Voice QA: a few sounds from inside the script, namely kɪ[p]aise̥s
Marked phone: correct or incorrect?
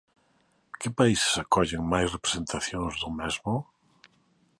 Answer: correct